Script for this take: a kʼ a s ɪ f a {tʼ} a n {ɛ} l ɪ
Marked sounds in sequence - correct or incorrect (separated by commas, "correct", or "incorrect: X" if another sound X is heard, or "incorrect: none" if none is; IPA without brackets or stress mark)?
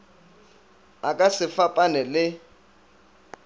incorrect: pʼ, correct